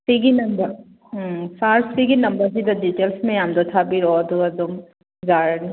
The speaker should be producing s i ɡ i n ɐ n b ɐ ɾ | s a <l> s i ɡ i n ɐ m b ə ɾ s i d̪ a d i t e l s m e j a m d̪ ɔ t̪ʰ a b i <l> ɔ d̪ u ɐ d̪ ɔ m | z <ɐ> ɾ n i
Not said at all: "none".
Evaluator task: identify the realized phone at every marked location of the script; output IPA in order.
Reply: ɾ, ɾ, a

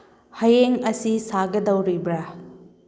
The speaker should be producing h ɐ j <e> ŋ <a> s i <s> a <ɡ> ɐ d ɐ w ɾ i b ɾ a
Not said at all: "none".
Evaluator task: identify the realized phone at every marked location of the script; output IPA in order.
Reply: e, ɐ, s, ɡ

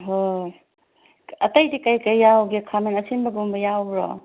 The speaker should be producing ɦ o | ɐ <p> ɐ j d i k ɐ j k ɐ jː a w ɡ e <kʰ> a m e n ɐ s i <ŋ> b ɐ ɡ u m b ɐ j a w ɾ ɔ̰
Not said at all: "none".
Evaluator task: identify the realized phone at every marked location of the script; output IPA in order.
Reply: t, kʰ, n

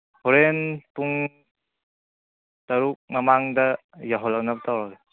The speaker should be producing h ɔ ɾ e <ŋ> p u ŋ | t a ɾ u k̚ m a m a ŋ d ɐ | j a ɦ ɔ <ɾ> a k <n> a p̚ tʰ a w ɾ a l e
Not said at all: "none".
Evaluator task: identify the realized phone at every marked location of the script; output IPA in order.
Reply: n, l, n

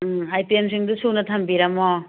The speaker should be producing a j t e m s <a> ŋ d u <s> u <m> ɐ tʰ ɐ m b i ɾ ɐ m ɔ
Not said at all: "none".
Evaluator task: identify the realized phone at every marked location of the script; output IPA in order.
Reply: i, s, n

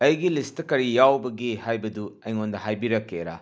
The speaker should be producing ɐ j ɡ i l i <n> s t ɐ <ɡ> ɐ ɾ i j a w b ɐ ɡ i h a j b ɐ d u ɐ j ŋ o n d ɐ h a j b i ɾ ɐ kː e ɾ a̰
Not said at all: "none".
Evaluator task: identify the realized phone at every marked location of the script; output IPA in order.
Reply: none, k

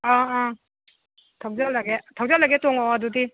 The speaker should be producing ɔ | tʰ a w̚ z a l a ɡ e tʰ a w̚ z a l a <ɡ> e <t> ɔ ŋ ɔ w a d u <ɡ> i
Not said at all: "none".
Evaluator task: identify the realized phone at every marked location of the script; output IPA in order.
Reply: ɡ, t, d

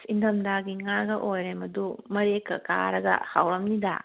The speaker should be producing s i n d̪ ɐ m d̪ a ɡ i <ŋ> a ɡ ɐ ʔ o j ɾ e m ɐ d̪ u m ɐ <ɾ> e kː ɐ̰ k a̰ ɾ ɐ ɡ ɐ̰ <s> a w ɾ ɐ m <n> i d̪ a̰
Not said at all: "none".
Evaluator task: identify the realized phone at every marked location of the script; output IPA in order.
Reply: ŋ, ɾ, h, n

